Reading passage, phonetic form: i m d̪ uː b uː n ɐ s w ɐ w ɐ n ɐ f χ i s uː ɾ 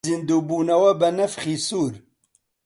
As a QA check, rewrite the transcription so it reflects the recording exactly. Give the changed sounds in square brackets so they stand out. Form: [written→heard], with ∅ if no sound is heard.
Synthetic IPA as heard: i [m→n] d̪ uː b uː n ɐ [s→∅] w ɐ [w→b] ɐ n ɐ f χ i s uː ɾ